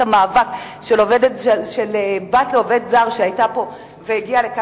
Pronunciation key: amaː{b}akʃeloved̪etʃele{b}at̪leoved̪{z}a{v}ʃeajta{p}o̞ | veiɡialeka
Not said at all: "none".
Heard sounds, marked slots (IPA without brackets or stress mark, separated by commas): v, b, z, ʁ, p